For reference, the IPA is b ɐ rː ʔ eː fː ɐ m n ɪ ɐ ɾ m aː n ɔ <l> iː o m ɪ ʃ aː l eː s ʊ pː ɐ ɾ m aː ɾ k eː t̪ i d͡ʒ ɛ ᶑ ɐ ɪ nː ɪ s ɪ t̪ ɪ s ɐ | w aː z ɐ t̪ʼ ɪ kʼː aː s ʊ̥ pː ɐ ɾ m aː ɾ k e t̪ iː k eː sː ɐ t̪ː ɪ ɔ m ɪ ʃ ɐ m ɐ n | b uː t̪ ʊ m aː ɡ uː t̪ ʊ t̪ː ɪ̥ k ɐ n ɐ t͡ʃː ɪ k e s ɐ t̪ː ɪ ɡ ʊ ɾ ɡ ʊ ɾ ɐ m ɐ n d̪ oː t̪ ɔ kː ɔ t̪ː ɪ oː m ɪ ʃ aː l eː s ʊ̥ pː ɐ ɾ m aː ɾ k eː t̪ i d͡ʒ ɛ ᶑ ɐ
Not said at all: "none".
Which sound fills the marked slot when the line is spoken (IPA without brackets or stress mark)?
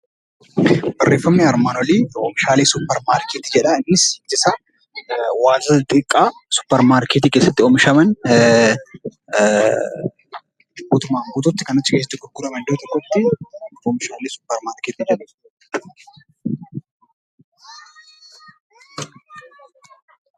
l